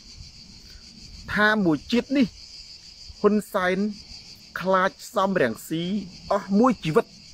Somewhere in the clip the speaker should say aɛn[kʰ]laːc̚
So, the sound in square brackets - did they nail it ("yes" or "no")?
yes